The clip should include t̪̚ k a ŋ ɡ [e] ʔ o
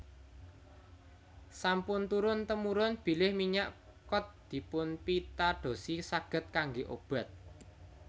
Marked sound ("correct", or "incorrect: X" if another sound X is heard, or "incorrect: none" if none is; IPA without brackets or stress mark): correct